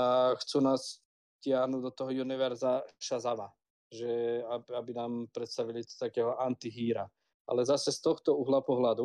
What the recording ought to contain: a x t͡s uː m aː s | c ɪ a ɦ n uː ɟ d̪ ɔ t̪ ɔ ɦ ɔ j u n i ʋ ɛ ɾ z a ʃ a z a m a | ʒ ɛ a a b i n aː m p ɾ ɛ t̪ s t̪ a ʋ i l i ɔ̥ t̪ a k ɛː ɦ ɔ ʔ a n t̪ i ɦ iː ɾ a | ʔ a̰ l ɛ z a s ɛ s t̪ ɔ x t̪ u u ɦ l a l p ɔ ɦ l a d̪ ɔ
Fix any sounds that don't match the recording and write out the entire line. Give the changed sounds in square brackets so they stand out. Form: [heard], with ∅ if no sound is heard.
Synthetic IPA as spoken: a x t͡s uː [n] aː s | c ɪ a ɦ n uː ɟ d̪ ɔ t̪ ɔ ɦ ɔ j u n i ʋ ɛ ɾ z a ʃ a z a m a | ʒ ɛ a a b i n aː m p ɾ ɛ t̪ s t̪ a ʋ i l i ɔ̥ t̪ a k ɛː ɦ ɔ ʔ a n t̪ i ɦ iː ɾ a | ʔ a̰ l ɛ z a s ɛ s t̪ ɔ x t̪ [ɔ] u ɦ l a [∅] p ɔ ɦ l a d̪ [u]